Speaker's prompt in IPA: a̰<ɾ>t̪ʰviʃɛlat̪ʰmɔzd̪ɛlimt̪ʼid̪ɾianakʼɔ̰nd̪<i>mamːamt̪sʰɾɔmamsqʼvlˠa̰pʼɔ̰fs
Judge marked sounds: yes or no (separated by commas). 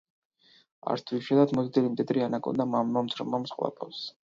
yes, no